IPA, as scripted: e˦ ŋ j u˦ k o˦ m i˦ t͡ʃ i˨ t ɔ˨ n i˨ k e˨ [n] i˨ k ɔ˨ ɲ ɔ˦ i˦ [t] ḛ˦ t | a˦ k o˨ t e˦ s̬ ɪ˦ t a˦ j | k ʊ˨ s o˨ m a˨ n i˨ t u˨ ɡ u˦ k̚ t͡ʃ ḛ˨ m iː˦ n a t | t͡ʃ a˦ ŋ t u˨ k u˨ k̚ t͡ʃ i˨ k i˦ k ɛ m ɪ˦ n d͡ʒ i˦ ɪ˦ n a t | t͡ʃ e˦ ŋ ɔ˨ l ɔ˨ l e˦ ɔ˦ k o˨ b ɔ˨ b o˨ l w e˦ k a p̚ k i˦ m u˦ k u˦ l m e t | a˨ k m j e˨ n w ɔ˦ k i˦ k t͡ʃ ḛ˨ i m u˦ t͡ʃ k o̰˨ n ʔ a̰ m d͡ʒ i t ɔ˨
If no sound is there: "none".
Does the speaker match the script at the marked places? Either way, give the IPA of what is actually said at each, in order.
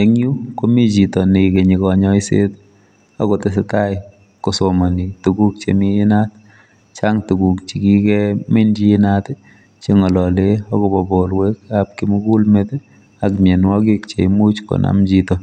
ɲ, s

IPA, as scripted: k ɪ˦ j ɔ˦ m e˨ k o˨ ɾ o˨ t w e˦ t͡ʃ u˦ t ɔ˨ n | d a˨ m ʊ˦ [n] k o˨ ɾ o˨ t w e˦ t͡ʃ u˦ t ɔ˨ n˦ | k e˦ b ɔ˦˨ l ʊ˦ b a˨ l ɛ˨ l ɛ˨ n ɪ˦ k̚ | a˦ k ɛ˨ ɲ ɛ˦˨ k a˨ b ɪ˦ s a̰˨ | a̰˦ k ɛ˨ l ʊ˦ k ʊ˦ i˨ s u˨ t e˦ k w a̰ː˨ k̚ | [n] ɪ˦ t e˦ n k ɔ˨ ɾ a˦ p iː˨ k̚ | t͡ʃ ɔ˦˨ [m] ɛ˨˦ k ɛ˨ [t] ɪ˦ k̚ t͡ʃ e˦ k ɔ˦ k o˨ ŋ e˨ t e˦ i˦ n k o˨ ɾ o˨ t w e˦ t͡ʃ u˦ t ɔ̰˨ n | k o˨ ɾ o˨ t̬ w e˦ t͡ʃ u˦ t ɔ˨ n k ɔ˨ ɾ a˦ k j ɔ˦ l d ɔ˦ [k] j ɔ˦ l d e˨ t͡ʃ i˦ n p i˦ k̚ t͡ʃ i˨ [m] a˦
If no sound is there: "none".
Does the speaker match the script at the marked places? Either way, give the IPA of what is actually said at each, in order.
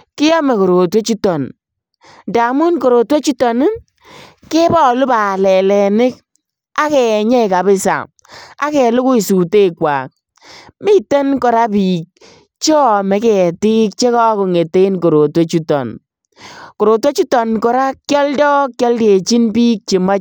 n, m, m, t, k, m

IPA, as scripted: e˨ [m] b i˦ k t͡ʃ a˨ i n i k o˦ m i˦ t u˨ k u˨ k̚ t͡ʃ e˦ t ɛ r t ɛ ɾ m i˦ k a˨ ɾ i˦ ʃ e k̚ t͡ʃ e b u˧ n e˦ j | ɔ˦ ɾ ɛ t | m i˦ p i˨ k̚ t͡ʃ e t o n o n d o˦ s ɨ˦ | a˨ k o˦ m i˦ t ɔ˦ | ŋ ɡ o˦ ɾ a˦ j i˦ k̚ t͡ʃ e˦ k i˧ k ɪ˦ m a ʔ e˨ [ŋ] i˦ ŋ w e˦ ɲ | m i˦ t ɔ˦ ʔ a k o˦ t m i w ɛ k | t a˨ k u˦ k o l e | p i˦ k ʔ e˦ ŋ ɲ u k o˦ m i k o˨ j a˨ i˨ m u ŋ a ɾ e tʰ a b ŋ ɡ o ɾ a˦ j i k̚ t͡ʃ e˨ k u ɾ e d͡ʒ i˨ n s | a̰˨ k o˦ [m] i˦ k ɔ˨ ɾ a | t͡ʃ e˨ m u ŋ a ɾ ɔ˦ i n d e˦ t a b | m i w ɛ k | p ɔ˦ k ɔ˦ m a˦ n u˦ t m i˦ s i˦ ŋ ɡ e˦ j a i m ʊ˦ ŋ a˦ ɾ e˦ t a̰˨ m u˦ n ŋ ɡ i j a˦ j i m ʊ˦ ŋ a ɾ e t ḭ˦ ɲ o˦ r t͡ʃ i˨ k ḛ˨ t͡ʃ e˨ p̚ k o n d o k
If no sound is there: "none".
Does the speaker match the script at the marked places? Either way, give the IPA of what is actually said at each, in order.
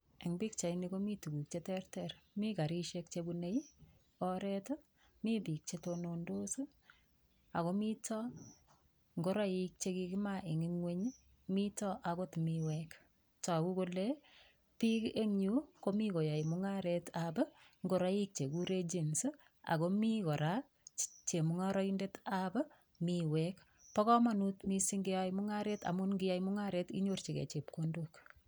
ŋ, ŋ, m

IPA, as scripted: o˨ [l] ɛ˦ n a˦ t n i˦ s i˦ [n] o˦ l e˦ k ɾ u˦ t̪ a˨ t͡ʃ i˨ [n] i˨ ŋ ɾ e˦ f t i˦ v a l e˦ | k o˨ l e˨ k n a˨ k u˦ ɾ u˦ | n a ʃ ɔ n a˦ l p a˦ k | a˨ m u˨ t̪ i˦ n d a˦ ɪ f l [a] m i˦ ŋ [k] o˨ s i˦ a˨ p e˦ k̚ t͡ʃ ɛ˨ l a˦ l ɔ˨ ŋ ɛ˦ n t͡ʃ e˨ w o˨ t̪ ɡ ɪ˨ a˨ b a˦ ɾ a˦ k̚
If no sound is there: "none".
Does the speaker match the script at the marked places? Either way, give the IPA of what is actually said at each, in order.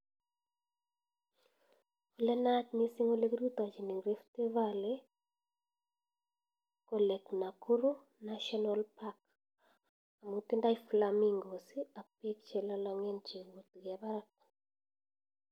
l, ŋ, n, a, ɡ

